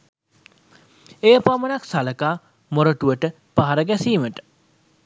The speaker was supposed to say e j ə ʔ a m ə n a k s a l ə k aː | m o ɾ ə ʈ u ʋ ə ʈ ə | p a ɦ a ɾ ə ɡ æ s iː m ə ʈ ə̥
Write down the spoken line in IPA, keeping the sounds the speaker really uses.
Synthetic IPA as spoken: e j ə p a m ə n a k s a l ə k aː | m o ɾ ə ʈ u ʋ ə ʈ ə | p a ɦ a ɾ ə ɡ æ s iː m ə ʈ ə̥